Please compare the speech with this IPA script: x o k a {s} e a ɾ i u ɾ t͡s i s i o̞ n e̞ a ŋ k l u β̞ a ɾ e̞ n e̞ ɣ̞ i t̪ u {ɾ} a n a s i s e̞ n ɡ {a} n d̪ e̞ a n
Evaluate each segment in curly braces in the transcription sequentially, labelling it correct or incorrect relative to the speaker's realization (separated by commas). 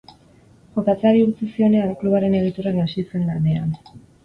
incorrect, correct, correct